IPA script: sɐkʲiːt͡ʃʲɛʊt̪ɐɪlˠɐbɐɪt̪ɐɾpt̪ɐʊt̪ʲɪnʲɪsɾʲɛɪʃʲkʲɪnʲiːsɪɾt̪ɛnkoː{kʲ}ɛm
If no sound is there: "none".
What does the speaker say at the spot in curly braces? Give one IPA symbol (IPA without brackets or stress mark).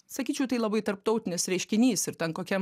kʲ